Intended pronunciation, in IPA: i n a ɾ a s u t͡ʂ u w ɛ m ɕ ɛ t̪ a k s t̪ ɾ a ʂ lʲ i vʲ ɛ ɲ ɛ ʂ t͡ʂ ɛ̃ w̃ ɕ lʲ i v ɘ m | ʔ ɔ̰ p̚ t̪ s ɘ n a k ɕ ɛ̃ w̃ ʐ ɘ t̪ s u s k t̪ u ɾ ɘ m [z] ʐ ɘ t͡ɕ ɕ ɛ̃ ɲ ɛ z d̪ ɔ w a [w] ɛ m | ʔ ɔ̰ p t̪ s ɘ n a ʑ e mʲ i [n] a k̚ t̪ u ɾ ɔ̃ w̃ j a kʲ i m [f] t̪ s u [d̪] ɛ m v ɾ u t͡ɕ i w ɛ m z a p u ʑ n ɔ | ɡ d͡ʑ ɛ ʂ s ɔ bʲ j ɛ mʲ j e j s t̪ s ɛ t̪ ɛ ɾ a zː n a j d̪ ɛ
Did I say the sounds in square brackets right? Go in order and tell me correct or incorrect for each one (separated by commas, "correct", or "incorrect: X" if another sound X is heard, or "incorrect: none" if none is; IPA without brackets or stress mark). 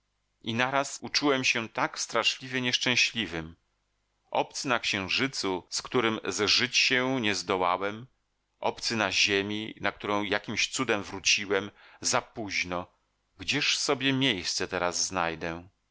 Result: correct, correct, correct, incorrect: ɕ, correct